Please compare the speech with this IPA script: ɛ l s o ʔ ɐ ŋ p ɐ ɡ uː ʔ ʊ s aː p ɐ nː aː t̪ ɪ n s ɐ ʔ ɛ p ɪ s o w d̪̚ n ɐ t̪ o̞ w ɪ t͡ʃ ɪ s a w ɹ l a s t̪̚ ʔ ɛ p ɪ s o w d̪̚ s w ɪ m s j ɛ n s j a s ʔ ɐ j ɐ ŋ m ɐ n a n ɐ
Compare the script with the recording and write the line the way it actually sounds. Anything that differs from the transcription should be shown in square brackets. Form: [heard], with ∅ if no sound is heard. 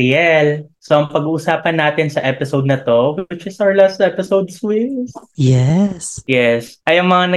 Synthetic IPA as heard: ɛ l s o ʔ ɐ ŋ p ɐ ɡ uː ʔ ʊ s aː p ɐ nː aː t̪ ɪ n s ɐ ʔ ɛ p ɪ s o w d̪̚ n ɐ t̪ o̞ w ɪ t͡ʃ ɪ s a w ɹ l a s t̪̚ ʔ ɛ p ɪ s o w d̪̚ s w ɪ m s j ɛ [∅] s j [ɛ] s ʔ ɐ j ɐ ŋ m ɐ [ŋ] a n ɐ